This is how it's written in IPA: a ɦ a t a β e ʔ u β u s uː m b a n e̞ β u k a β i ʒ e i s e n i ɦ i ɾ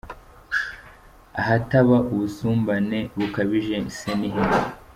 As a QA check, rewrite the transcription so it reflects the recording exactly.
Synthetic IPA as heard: a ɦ a t a β a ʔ u β u s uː m b a n e̞ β u k a β i ʒ e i s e n i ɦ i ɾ